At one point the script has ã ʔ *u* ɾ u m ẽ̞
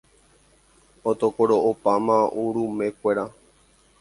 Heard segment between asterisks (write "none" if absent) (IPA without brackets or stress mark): u